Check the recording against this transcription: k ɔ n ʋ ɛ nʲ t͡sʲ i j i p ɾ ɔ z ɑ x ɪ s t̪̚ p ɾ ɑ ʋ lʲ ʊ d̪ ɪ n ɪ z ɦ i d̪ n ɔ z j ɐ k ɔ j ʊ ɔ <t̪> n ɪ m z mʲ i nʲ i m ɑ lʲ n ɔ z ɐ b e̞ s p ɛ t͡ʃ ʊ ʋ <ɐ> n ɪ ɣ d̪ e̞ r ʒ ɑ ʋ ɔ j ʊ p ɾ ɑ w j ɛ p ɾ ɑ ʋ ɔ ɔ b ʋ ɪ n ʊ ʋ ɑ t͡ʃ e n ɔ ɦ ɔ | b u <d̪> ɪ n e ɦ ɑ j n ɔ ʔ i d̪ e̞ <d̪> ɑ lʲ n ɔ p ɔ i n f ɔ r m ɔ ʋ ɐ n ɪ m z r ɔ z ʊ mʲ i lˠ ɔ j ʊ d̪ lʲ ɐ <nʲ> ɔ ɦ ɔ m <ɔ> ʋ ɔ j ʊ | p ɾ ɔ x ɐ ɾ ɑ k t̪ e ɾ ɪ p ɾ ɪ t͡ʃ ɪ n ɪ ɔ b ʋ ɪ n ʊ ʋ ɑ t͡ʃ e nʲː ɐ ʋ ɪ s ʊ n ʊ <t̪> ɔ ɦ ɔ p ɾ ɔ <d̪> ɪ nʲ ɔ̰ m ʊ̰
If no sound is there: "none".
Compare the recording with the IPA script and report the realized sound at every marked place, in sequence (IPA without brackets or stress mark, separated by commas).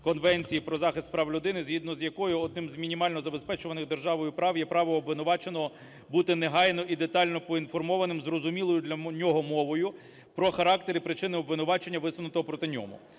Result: d̪, ɐ, t̪, t̪, nʲ, ɔ, t̪, t̪